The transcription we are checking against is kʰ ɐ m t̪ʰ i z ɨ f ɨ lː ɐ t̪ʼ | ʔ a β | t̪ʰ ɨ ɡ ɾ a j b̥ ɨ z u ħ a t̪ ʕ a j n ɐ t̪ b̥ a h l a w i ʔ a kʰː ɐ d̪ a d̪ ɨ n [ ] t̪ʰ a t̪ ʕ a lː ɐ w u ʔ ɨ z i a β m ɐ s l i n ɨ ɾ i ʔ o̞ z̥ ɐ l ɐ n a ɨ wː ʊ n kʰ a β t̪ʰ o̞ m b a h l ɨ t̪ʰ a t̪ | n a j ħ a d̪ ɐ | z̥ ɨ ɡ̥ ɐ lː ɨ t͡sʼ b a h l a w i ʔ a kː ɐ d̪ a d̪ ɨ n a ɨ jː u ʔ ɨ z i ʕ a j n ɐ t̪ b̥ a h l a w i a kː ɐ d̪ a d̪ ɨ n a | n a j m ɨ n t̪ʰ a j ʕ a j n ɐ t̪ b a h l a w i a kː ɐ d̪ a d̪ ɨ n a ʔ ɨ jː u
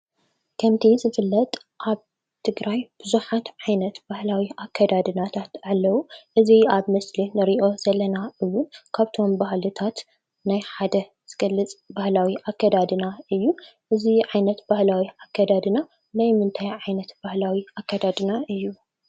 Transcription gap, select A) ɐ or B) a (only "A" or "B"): B